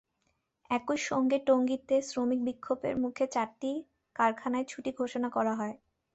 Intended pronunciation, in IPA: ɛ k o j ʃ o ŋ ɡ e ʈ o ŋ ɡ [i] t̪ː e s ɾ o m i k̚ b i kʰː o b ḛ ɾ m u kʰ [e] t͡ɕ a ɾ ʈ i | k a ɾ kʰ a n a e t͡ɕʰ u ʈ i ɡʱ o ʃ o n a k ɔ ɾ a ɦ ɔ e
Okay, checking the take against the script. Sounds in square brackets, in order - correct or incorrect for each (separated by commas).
correct, correct